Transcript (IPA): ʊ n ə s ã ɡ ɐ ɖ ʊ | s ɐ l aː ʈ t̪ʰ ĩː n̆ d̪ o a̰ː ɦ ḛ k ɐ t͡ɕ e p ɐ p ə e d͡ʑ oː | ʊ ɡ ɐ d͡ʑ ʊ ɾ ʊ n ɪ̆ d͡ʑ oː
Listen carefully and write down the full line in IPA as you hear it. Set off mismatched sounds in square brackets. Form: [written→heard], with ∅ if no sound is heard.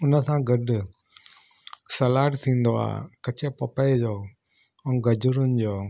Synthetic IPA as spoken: ʊ n ə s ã ɡ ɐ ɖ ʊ | s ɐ l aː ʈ t̪ʰ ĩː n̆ d̪ o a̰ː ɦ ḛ k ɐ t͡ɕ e p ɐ p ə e d͡ʑ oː | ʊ ɡ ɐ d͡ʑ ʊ ɾ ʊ n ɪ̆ d͡ʑ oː